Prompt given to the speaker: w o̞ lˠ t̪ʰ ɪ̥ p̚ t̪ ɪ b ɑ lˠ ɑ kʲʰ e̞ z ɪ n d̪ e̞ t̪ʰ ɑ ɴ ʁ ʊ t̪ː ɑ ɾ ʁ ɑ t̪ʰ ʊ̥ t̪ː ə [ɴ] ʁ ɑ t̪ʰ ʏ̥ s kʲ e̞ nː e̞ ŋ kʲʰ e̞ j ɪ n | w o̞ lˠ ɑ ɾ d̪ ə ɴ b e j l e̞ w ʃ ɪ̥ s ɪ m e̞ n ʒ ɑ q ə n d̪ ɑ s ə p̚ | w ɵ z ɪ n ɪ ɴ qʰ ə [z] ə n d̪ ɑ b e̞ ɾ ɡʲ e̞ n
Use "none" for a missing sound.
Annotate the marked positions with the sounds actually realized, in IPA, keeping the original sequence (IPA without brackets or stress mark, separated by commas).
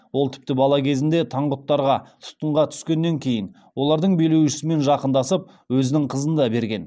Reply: ɴ, z